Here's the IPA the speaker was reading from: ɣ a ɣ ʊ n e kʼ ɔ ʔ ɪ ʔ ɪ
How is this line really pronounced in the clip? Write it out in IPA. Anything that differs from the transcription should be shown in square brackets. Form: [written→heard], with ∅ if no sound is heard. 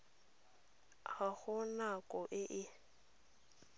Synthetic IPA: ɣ a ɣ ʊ n [e→a] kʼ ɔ ʔ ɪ ʔ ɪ